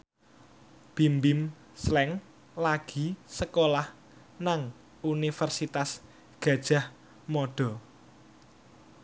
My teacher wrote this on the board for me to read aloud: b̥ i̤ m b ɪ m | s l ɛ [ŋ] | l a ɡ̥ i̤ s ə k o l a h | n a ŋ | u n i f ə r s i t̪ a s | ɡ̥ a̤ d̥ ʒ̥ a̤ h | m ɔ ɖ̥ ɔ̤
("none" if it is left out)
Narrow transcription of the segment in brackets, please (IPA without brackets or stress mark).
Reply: ŋ